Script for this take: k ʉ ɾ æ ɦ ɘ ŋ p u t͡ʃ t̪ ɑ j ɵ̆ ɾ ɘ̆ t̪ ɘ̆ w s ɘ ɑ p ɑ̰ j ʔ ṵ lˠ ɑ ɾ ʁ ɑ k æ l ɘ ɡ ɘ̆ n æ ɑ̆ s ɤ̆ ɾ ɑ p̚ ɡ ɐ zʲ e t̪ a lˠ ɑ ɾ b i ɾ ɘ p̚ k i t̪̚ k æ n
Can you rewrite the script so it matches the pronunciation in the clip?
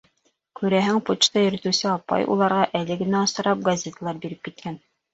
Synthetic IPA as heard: k ʉ ɾ æ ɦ ɘ ŋ p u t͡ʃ t̪ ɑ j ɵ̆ ɾ ɘ̆ t̪ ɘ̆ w s ɘ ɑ p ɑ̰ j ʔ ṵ lˠ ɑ ɾ ʁ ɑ ʔ æ l ɘ ɡ ɘ̆ n æ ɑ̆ s ɤ̆ ɾ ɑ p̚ ɡ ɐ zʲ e t̪ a lˠ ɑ ɾ b i ɾ ɘ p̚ k i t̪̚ k æ n